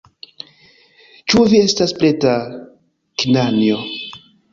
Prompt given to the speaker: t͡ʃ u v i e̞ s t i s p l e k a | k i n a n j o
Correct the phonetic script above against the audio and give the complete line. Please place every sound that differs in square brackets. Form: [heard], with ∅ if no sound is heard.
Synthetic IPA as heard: t͡ʃ u v i e̞ s t [a] s p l e [t] a | k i n a n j o